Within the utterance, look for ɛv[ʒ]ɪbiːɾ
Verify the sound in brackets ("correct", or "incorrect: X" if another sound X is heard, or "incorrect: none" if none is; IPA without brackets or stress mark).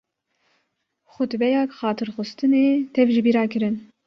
correct